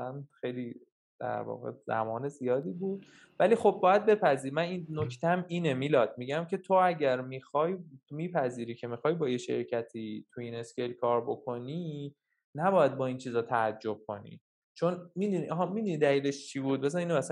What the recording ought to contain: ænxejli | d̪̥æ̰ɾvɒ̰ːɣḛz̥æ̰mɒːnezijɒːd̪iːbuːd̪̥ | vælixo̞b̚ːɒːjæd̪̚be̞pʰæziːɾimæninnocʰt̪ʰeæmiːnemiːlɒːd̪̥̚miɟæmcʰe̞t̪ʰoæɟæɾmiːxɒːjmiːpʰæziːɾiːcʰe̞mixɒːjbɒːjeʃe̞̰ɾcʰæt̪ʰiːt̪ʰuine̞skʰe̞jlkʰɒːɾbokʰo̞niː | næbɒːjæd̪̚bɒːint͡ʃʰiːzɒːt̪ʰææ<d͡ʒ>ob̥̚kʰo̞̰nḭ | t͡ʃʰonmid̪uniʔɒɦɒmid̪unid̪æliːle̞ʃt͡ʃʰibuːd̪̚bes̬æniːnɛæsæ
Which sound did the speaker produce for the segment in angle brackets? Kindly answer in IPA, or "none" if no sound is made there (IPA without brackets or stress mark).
d͡ʒː